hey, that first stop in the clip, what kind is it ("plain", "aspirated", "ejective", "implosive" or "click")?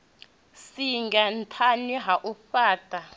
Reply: plain